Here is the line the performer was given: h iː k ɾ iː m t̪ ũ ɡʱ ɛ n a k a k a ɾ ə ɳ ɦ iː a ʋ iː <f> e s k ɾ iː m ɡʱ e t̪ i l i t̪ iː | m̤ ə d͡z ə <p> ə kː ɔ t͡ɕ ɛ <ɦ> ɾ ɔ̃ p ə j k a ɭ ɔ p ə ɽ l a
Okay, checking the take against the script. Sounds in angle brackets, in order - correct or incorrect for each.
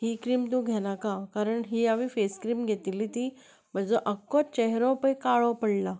correct, incorrect: ʔ, correct

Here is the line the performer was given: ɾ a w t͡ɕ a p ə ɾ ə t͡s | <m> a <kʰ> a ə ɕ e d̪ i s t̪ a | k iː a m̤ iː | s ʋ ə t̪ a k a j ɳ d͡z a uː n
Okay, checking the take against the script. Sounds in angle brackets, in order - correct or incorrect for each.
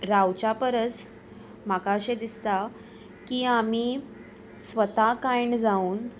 correct, incorrect: k

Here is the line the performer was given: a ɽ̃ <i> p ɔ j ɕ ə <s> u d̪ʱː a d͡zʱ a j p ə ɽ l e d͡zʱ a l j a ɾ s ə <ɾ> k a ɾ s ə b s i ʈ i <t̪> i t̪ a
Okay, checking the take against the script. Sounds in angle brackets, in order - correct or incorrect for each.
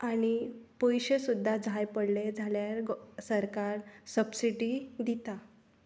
correct, correct, correct, incorrect: d̪

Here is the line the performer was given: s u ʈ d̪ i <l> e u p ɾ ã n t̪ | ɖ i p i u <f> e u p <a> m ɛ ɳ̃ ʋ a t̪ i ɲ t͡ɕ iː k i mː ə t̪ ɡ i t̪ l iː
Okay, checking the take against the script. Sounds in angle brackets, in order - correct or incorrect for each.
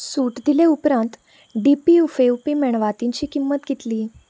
correct, correct, incorrect: i

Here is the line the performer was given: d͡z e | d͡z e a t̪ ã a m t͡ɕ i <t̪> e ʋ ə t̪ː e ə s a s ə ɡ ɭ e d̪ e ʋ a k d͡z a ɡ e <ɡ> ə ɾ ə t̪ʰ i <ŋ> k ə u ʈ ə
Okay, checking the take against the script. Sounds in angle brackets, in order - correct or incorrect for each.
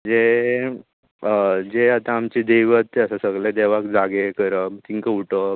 incorrect: d̪, incorrect: k, correct

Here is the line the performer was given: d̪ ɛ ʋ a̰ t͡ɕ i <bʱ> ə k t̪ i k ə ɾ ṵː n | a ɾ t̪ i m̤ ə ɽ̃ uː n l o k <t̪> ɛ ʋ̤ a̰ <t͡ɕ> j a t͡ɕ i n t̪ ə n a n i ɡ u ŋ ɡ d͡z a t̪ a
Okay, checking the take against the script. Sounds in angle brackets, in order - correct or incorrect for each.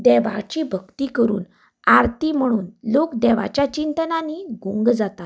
correct, incorrect: d̪, correct

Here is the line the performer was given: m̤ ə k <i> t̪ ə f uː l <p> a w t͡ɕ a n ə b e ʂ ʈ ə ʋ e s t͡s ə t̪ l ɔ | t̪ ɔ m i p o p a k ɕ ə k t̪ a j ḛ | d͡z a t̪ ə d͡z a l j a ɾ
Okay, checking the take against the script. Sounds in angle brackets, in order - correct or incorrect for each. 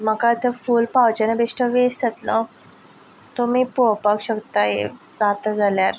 incorrect: a, correct

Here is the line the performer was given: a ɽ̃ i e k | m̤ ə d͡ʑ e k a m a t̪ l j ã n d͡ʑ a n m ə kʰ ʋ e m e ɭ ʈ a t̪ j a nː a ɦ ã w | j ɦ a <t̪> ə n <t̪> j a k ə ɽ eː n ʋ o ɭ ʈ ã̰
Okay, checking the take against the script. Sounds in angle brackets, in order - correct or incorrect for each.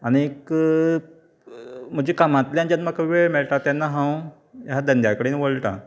incorrect: d̪, incorrect: d̪

